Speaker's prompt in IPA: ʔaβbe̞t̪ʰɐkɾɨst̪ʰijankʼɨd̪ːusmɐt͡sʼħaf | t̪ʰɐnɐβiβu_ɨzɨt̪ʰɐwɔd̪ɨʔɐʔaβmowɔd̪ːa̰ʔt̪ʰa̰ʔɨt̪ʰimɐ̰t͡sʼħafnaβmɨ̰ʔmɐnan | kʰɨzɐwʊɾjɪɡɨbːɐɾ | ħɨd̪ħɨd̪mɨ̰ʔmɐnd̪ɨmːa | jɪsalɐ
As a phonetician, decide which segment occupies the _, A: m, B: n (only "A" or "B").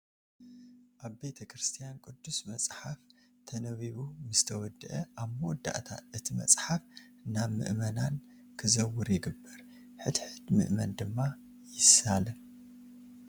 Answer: A